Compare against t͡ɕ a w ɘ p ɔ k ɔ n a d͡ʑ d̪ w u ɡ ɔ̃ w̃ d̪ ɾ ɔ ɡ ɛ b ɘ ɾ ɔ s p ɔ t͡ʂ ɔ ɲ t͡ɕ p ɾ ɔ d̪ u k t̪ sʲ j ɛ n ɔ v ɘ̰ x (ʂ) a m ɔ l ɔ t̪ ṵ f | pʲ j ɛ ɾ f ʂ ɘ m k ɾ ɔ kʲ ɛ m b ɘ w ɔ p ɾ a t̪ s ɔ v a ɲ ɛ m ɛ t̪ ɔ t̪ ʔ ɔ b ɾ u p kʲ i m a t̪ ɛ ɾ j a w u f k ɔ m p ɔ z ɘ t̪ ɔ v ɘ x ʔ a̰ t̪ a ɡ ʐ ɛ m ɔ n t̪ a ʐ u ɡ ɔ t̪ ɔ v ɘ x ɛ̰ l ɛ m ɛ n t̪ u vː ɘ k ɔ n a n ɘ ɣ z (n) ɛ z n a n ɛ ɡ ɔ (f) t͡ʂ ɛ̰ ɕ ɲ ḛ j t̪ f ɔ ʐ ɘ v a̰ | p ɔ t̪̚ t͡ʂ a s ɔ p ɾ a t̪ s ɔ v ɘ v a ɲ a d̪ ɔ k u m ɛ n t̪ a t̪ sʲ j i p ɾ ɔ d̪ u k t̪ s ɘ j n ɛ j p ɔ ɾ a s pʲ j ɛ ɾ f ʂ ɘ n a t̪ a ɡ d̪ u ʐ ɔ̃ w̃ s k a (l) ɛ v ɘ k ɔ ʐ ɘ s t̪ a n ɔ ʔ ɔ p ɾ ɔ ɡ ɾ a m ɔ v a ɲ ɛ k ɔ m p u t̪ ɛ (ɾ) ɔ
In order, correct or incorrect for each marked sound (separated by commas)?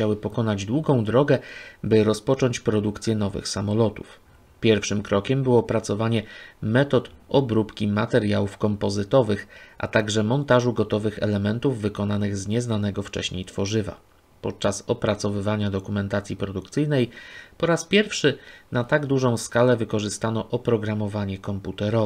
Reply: incorrect, incorrect, correct, correct, correct